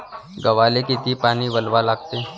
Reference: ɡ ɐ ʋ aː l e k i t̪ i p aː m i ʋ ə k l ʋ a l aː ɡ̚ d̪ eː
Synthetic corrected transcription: ɡ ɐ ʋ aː l e k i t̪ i p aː n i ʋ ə l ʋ a l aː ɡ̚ t̪ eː